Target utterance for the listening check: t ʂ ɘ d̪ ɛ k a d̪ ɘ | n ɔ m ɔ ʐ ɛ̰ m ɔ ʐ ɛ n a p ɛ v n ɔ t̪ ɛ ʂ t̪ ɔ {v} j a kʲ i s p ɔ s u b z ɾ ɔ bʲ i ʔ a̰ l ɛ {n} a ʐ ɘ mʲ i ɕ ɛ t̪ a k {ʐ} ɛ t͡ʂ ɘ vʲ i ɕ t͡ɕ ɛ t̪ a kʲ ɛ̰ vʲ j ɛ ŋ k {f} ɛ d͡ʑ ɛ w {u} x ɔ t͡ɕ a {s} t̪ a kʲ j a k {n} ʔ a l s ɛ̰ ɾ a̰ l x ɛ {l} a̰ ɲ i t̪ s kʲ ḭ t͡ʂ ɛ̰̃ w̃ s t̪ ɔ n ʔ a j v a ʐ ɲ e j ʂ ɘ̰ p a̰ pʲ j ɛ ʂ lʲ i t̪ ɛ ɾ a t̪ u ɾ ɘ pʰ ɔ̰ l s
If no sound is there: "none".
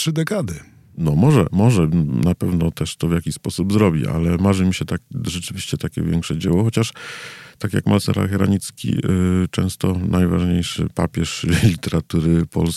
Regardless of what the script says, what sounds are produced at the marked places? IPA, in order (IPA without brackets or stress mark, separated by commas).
v, m, ʐ, ʂ, ɔ, ʂ, m, ɾ